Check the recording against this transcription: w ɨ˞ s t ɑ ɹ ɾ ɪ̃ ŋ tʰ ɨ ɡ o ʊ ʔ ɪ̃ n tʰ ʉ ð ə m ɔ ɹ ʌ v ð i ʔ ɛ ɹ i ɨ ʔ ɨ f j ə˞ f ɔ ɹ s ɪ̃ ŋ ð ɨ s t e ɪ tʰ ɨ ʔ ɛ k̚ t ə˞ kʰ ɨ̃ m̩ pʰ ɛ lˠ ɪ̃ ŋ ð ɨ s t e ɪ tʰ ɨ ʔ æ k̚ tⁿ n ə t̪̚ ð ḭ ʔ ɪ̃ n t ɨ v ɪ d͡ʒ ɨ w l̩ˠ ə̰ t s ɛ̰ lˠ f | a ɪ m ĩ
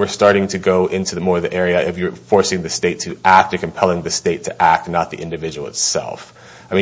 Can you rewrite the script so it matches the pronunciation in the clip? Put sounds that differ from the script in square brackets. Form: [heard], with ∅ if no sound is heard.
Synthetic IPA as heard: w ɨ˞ s t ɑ ɹ ɾ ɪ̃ ŋ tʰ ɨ ɡ o ʊ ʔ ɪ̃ n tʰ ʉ ð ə m ɔ ɹ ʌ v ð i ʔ ɛ ɹ i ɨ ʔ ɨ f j ə˞ f ɔ ɹ s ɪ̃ ŋ ð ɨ s t e ɪ tʰ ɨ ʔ [æ] k̚ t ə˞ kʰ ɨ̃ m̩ pʰ ɛ lˠ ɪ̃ ŋ ð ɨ s t e ɪ tʰ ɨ ʔ æ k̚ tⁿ n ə t̪̚ ð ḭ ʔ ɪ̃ n [d] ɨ v ɪ d͡ʒ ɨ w l̩ˠ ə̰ t s ɛ̰ lˠ f | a ɪ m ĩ

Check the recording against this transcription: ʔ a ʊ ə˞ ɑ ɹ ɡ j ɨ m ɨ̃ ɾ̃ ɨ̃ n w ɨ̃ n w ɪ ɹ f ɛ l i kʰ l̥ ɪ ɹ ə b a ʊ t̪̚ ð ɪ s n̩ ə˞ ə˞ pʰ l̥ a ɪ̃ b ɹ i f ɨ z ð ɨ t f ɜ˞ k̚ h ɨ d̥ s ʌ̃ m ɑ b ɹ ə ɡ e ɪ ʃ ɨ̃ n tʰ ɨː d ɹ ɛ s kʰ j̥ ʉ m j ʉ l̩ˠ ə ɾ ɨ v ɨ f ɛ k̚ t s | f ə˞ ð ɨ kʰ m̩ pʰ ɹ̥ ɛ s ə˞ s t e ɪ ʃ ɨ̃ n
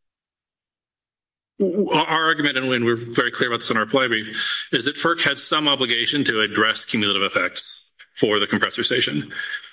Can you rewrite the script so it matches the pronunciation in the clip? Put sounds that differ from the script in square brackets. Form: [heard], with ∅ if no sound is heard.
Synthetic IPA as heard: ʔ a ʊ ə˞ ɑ ɹ ɡ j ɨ m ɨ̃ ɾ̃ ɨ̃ n w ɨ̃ n w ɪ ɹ [v] ɛ [ɹ] i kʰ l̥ ɪ ɹ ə b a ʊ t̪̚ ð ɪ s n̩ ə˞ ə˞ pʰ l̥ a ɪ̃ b ɹ i f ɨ z ð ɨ t f ɜ˞ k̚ h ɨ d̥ s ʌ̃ m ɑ b [l] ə ɡ e ɪ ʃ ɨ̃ n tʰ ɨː d ɹ ɛ s kʰ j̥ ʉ m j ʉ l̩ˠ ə ɾ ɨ v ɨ f ɛ k̚ t s | f ə˞ ð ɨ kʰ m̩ pʰ ɹ̥ ɛ s ə˞ s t e ɪ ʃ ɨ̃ n

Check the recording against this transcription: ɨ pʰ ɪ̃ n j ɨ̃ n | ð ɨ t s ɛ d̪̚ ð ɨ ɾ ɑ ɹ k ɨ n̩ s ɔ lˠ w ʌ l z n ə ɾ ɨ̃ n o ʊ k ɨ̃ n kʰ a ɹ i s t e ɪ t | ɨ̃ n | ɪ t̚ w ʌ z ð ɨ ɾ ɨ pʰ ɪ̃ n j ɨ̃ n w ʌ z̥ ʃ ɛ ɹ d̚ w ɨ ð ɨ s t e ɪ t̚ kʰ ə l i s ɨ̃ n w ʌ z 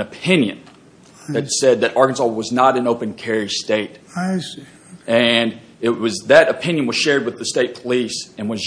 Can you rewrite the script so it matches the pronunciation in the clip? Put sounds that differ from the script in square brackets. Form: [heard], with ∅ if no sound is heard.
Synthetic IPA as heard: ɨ pʰ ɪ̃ n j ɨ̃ n | ð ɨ t s ɛ d̪̚ ð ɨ ɾ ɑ ɹ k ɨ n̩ s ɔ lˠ w ʌ [∅] z n ə ɾ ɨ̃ n o ʊ [p] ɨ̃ n kʰ [ɛ] ɹ i s t e ɪ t | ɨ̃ n | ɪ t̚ w ʌ z ð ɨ ɾ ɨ pʰ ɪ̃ n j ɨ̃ n w ʌ z̥ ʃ ɛ ɹ d̚ w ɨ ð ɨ s t e ɪ t̚ [pʰ] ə l i s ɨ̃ n w ʌ z

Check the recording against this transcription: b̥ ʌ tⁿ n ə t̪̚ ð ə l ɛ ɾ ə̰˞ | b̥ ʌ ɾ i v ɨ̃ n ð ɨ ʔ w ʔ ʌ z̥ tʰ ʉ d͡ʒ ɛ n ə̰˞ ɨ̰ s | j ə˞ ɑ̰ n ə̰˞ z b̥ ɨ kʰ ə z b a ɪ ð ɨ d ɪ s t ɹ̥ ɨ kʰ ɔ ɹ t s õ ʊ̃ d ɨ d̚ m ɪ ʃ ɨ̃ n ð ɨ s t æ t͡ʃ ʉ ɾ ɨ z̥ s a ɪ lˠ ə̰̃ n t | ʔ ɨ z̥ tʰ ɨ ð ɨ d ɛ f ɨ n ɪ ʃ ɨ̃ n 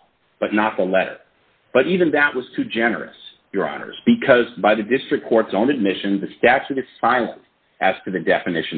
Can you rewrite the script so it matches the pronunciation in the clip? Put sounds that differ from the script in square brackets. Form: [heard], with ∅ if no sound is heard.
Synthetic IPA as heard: b̥ ʌ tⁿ n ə t̪̚ ð ə l ɛ ɾ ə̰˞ | b̥ ʌ ɾ i v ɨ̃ n ð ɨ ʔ w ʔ ʌ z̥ tʰ ʉ d͡ʒ ɛ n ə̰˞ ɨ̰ s | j ə˞ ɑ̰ n ə̰˞ z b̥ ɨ kʰ [ʌ] z b a ɪ ð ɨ d ɪ s t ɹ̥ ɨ kʰ ɔ ɹ t s õ ʊ̃ [n] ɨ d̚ m ɪ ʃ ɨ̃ n ð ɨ s t æ t͡ʃ ʉ ɾ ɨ z̥ s a ɪ lˠ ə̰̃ n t | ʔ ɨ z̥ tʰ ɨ ð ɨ d ɛ f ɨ n ɪ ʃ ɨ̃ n

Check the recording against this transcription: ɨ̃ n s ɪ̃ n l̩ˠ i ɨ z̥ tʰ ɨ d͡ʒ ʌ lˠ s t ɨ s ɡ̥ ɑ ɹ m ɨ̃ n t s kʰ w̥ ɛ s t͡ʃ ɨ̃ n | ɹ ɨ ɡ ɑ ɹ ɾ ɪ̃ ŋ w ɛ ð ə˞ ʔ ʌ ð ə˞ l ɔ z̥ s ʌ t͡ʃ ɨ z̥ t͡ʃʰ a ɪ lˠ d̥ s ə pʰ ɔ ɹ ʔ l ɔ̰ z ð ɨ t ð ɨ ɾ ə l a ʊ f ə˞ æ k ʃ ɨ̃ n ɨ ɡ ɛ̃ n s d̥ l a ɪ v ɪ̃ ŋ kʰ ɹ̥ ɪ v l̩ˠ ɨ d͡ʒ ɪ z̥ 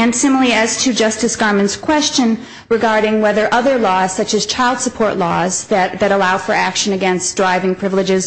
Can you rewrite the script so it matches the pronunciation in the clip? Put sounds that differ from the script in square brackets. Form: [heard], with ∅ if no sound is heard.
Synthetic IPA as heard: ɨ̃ n s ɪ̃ [m] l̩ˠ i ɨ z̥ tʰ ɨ d͡ʒ ʌ [∅] s t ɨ s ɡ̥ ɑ ɹ m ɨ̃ n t s kʰ w̥ ɛ s t͡ʃ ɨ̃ n | ɹ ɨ ɡ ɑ ɹ ɾ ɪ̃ ŋ w ɛ ð ə˞ ʔ ʌ ð ə˞ l ɔ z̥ s ʌ t͡ʃ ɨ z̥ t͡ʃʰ a ɪ lˠ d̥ s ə pʰ ɔ ɹ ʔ l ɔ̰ z ð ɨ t ð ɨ ɾ ə l a ʊ f ə˞ æ k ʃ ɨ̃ n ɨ ɡ ɛ̃ n s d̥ [ɹ] a ɪ v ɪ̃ ŋ [pʰ] ɹ̥ ɪ v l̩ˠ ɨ d͡ʒ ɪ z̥

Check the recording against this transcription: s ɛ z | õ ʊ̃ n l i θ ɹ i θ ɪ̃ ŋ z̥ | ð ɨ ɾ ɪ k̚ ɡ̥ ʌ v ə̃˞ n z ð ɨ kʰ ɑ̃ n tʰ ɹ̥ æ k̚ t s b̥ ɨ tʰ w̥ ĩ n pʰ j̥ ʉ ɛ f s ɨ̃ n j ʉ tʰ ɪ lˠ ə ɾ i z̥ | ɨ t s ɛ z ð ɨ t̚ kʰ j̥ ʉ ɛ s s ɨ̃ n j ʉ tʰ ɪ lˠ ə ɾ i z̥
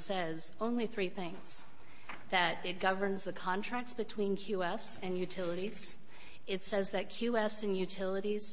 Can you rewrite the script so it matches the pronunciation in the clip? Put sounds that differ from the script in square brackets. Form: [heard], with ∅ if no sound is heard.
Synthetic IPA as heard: s ɛ z | õ ʊ̃ n l i θ ɹ i θ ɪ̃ ŋ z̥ | ð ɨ ɾ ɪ [t̚] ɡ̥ ʌ v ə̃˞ n z ð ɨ kʰ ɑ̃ n tʰ ɹ̥ æ k̚ t s b̥ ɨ tʰ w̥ ĩ n [kʰ] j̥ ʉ ɛ f s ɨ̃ n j ʉ tʰ ɪ lˠ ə ɾ i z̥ | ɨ t s ɛ z ð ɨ t̚ kʰ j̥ ʉ ɛ [f] s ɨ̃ n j ʉ tʰ ɪ lˠ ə ɾ i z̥

